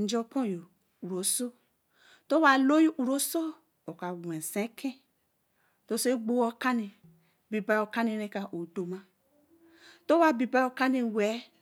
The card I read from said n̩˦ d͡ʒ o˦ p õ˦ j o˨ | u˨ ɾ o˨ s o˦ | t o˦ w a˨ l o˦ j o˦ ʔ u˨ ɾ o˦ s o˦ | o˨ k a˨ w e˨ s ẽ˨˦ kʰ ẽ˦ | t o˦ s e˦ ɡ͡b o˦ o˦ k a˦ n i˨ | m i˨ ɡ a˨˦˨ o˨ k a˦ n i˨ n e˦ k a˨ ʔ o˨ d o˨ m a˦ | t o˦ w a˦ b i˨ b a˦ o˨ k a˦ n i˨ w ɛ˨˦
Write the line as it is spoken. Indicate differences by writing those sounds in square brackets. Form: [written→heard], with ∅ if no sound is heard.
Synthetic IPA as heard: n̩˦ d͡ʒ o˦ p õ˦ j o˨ | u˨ ɾ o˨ s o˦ | t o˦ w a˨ l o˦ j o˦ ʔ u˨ ɾ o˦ s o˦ | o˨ k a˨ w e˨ s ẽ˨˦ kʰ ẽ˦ | t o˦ s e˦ ɡ͡b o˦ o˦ k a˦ n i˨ | [m→b] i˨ [ɡ→b] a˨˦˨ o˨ k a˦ n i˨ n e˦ k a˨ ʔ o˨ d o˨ m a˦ | t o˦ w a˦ b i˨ b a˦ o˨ k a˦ n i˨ w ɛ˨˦

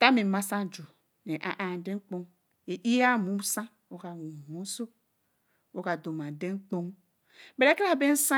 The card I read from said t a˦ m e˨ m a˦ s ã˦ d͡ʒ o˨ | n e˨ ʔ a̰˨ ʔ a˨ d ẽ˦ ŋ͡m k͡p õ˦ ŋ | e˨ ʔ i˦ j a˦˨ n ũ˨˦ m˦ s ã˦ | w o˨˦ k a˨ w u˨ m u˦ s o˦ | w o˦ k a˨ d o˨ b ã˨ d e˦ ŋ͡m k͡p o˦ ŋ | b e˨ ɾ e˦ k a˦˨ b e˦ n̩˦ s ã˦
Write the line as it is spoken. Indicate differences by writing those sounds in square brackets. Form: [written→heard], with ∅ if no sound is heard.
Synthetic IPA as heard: t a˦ m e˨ m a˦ s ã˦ d͡ʒ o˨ | n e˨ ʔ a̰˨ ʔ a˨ d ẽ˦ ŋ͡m k͡p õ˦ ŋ | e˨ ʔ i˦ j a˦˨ [n→m] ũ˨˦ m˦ s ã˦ | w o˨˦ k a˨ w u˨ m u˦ s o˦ | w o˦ k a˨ d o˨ [b→m] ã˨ d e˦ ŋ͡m k͡p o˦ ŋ | b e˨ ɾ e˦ k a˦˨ b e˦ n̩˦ s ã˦

